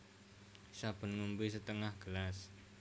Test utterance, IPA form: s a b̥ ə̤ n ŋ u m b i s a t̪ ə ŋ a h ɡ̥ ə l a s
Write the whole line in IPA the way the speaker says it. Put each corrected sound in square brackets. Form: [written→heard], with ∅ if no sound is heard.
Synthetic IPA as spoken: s a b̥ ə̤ n ŋ u m b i s [a→ə] t̪ ə ŋ a h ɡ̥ ə l a s